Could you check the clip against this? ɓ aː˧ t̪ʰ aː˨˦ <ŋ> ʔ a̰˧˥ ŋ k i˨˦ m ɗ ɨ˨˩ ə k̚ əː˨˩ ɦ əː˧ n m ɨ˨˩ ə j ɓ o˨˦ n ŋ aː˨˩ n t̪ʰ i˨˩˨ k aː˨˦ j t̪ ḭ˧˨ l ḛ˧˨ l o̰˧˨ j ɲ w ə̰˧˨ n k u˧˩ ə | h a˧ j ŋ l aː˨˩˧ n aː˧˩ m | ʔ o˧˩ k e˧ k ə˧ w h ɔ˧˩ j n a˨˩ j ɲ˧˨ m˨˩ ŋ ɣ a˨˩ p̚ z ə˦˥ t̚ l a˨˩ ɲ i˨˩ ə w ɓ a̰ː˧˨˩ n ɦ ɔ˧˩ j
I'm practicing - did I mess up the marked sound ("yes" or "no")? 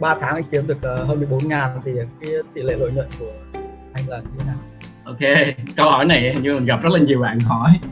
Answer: no